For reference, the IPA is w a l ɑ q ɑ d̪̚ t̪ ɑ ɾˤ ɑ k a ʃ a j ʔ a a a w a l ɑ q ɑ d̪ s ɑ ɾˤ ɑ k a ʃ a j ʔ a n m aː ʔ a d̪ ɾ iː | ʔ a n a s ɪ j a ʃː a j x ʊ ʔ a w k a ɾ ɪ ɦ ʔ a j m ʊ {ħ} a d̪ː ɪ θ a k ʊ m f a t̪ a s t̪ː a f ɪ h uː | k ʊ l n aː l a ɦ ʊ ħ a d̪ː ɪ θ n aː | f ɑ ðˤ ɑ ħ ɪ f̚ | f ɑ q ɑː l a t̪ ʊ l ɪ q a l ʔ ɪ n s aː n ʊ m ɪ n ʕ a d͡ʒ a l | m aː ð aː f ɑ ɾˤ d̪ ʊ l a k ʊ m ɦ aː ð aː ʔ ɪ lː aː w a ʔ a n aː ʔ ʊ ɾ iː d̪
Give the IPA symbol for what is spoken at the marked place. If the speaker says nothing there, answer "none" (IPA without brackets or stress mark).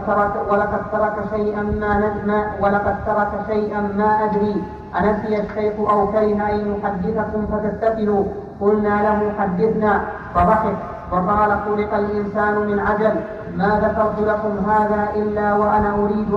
ħ